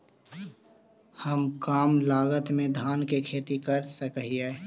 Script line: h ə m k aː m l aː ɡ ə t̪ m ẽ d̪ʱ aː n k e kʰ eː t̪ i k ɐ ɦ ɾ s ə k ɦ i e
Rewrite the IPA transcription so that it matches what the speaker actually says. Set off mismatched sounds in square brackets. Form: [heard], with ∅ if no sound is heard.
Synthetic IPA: h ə m k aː m l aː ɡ ə t̪ m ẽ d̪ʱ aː n k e kʰ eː t̪ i k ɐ [∅] ɾ s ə k ɦ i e

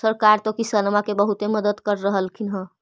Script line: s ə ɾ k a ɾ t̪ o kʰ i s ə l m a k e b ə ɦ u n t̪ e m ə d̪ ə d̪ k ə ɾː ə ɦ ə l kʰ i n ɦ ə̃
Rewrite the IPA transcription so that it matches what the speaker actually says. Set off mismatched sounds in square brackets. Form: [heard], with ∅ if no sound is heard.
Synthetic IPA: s ə ɾ k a ɾ t̪ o [k] i s ə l m a k e b ə ɦ u [∅] t̪ e m ə d̪ ə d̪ k ə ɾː ə ɦ ə l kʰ i n ɦ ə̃

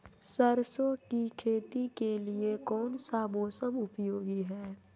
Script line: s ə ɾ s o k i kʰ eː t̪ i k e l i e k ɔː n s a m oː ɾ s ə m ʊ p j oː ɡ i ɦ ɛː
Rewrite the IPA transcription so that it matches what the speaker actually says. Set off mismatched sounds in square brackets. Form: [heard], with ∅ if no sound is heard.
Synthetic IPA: s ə ɾ s o k i kʰ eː t̪ i k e l i e k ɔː n s a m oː [∅] s ə m ʊ p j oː ɡ i ɦ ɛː

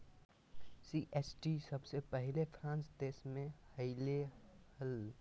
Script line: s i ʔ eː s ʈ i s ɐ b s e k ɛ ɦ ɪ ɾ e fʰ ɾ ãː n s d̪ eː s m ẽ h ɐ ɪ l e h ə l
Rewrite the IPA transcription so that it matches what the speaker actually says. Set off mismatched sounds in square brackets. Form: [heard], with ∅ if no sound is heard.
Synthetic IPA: s i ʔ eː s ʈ i s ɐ b s e [p] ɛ ɦ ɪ [l] e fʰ ɾ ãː n s d̪ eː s m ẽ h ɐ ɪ l e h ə l

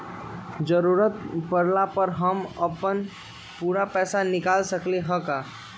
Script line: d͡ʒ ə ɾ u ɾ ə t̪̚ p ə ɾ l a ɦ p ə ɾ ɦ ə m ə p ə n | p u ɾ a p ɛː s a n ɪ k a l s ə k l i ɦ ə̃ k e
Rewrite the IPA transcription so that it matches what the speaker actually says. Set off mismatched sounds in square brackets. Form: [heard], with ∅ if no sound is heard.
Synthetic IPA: d͡ʒ ə ɾ u ɾ ə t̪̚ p ə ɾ l a [∅] p ə ɾ ɦ ə m ə p ə n | p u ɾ a p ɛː s a n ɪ k a l s ə k l [e] ɦ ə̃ k [a]

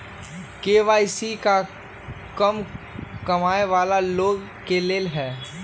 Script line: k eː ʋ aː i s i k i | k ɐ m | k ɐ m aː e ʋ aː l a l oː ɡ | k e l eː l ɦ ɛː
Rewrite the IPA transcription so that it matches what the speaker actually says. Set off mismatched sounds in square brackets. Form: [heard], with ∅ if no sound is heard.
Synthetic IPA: k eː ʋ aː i s i k [a] | k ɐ m | k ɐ m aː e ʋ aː l a l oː ɡ | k e l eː l ɦ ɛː

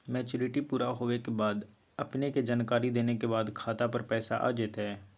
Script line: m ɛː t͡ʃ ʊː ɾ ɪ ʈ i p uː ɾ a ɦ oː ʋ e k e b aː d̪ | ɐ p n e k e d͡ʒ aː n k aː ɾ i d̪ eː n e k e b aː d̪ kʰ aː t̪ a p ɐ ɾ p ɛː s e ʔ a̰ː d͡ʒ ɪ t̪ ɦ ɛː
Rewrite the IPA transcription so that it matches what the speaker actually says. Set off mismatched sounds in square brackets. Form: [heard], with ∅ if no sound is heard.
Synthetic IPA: m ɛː t͡ʃ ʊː ɾ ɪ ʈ i p uː ɾ a ɦ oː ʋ e k e b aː d̪ | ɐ p n e k e d͡ʒ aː n k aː ɾ i d̪ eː n e k e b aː d̪ kʰ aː t̪ a p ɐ ɾ p ɛː s [a] ʔ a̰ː d͡ʒ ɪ t̪ ɦ ɛː

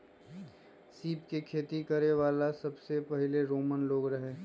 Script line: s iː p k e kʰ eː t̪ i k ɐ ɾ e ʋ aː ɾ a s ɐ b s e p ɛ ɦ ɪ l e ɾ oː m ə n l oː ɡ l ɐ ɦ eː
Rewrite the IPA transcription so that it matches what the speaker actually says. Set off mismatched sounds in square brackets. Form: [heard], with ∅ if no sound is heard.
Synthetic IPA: s iː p k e kʰ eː t̪ i k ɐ ɾ e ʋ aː [l] a s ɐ b s e p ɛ ɦ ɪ l e ɾ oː m ə n l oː ɡ [ɾ] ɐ ɦ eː

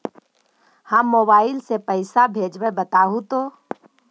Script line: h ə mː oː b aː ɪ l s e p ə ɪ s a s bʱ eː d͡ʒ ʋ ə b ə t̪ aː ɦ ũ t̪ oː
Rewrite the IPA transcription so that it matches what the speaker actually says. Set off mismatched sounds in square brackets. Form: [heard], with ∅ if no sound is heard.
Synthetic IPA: h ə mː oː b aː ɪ l s e p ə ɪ s a [∅] bʱ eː d͡ʒ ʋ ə b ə t̪ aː ɦ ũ t̪ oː

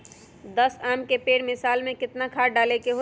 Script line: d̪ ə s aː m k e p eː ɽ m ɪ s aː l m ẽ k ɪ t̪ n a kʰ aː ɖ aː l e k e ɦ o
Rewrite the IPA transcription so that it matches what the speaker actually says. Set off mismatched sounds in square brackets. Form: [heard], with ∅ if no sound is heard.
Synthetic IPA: d̪ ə s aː m k e p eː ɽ m ɪ s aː l m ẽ k ɪ t̪ n a kʰ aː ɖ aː l e k e ɦ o

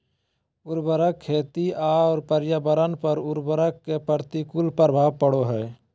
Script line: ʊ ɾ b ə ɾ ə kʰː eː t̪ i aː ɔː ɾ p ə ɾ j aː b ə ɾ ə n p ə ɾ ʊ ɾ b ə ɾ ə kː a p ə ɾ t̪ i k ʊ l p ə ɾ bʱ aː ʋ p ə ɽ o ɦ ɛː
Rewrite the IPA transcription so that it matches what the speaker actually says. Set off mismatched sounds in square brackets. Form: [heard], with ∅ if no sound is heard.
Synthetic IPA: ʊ ɾ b ə ɾ ə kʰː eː t̪ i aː ɔː ɾ p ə ɾ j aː b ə ɾ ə n p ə ɾ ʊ ɾ b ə ɾ ə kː [e] p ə ɾ t̪ i k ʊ l p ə ɾ bʱ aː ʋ p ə ɽ o ɦ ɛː

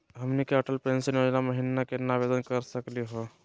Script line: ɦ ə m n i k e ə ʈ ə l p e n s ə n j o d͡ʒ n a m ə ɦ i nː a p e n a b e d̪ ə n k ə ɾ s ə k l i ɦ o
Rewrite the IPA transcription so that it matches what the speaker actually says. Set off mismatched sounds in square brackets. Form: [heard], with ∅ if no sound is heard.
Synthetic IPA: ɦ ə m n i k e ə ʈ ə l p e n s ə n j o d͡ʒ n a m ə ɦ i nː a [k] e n a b e d̪ ə n k ə ɾ s ə k l i ɦ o

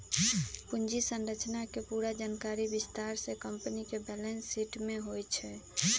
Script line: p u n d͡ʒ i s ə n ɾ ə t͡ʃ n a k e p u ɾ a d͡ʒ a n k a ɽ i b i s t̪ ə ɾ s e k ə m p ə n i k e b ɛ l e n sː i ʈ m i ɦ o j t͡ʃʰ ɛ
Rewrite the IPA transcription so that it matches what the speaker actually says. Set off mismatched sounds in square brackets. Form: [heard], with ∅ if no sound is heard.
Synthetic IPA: p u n d͡ʒ i s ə n ɾ ə t͡ʃ n a k e p u ɾ a d͡ʒ a n k a [ɾ] i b i s t̪ [a] ɾ s e k ə m p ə n i k e b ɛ l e n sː i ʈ m [e] ɦ o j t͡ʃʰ ɛ

